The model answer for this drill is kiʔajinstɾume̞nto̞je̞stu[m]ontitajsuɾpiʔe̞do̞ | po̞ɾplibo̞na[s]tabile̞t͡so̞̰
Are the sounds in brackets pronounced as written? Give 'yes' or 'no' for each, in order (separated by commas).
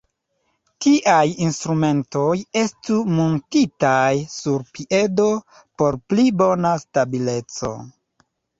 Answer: yes, yes